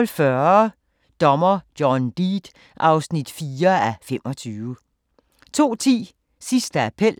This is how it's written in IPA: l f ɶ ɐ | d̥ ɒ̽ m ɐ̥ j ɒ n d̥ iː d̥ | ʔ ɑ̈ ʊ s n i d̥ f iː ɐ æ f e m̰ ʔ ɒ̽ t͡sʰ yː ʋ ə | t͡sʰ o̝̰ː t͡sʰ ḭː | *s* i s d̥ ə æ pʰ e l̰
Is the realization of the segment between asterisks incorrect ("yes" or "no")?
no